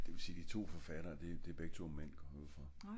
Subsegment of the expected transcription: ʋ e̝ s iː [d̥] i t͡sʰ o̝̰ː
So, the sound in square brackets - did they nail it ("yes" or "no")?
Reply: yes